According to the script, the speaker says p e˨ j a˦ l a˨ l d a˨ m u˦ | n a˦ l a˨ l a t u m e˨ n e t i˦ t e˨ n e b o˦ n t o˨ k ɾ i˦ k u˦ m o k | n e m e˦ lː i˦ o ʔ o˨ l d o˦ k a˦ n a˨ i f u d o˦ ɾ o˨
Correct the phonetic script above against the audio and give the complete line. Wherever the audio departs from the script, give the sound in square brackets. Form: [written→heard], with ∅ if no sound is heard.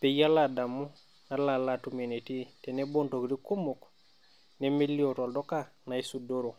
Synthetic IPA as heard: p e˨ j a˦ l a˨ [l→∅] d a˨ m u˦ | n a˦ l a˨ l a t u m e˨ n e t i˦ t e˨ n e b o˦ n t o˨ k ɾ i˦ k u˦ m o k | n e m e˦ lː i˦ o [ʔ→t] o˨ l d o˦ k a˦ n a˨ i [f→s] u d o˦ ɾ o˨